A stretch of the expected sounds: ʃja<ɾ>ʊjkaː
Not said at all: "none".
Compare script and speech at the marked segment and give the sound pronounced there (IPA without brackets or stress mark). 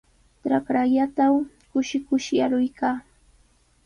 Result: ɾ